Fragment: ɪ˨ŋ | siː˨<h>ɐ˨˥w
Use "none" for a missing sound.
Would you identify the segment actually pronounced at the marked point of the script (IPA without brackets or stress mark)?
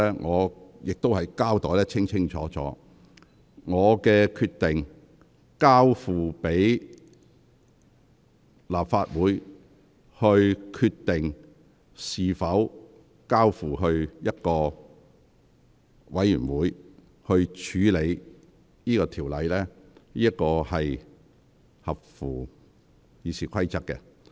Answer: f